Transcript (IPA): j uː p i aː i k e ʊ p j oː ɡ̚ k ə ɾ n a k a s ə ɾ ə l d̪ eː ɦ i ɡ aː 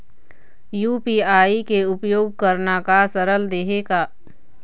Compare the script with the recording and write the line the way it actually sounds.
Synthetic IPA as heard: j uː p i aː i k e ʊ p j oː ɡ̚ k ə ɾ n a k a s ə ɾ ə l d̪ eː ɦ e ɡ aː